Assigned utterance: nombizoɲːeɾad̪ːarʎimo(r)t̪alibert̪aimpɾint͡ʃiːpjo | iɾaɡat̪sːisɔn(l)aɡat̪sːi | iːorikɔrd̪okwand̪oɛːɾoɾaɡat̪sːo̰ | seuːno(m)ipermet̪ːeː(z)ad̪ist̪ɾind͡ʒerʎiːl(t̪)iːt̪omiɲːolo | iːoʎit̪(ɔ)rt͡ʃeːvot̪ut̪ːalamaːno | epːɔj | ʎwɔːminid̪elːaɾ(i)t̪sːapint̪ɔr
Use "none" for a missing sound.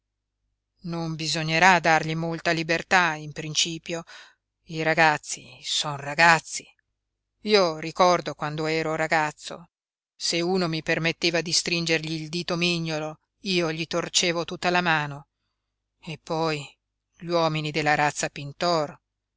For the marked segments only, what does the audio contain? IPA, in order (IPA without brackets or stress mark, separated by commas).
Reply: l, r, m, v, d̪, o, a